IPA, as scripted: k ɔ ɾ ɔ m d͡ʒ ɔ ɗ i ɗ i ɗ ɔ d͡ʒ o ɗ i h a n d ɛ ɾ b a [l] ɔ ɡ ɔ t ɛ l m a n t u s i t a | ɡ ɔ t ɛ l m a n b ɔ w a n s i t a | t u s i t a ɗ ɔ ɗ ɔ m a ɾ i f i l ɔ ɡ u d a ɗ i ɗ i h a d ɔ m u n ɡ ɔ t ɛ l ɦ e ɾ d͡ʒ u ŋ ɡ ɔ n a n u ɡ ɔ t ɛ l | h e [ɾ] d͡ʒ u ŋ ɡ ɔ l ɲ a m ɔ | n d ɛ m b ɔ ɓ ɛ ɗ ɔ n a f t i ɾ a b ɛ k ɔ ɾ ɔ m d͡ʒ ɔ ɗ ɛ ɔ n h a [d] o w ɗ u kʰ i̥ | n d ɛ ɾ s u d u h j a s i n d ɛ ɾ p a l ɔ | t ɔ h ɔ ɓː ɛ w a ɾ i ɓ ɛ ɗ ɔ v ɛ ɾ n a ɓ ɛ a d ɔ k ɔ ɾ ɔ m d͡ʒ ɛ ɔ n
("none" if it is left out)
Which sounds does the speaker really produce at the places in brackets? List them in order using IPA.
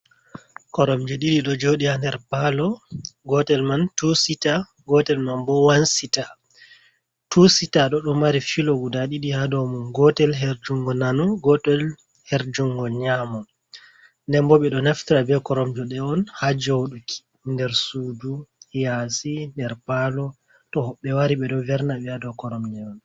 l, ɾ, d͡ʒ

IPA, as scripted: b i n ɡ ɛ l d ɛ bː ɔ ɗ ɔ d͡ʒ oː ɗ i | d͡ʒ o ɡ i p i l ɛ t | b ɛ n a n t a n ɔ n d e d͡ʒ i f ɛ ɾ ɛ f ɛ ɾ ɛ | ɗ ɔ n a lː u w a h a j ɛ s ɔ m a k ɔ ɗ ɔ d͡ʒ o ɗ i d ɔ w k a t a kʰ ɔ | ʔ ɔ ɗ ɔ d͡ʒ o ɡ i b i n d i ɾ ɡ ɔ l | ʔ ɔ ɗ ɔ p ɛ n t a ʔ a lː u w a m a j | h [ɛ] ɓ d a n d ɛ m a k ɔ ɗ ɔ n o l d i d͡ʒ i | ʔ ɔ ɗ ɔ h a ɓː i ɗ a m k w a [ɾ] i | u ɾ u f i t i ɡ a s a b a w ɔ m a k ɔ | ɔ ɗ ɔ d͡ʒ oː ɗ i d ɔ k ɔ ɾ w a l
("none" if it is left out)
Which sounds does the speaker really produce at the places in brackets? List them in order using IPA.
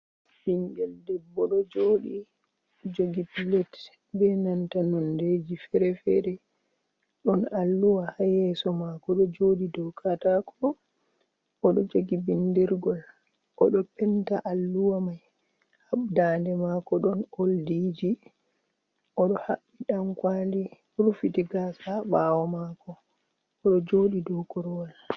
a, l

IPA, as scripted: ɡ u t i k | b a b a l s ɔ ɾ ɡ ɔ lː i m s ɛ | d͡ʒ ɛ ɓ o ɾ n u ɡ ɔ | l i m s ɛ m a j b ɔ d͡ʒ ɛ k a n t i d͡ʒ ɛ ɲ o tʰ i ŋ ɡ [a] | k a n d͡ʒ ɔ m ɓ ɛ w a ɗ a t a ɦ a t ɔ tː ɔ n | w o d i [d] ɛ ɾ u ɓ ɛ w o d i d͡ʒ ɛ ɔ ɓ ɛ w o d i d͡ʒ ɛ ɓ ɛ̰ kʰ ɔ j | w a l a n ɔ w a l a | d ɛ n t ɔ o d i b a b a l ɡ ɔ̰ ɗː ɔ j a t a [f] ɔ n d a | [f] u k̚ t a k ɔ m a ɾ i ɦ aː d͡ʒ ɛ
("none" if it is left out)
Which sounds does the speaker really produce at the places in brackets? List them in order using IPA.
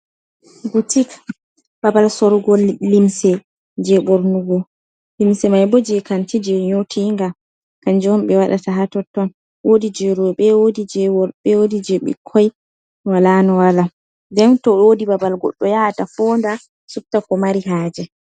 a, d͡ʒ, f, s

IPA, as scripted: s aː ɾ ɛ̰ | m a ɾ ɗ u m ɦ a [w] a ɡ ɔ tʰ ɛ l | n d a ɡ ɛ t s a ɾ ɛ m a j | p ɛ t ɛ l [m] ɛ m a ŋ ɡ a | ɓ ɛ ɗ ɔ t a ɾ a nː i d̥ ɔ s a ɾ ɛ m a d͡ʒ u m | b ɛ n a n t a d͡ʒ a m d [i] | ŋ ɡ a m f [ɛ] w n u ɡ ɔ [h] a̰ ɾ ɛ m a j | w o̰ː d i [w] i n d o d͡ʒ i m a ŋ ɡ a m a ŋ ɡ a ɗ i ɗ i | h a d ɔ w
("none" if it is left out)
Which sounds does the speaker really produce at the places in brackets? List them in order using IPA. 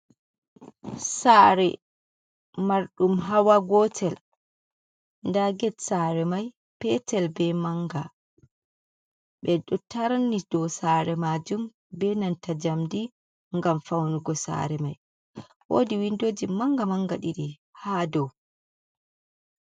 w, b, i, a, s, w

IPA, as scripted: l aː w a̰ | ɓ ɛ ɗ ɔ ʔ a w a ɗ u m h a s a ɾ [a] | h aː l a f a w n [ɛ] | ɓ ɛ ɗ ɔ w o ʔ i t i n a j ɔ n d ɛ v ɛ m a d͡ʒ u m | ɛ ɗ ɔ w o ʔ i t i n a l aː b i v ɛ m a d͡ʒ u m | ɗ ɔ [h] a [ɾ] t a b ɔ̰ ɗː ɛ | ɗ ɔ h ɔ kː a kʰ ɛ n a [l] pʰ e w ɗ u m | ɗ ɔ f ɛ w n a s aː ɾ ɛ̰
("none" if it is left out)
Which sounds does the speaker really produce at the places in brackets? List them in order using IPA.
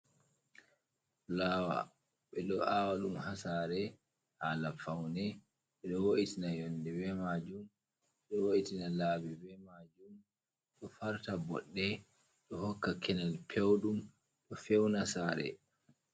ɛ, ɛ, f, ɾ, l

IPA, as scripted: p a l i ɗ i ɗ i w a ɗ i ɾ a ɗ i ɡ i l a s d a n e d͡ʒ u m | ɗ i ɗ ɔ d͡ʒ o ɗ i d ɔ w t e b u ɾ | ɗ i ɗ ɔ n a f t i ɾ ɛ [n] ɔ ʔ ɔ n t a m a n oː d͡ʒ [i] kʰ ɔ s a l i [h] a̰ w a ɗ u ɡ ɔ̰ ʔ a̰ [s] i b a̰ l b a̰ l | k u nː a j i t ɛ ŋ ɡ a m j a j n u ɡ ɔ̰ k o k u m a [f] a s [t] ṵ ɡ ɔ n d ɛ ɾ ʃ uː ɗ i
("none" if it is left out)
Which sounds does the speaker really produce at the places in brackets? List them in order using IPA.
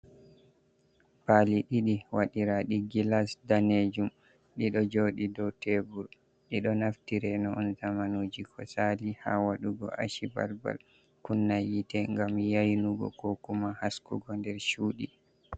n, i, h, ʃ, h, k

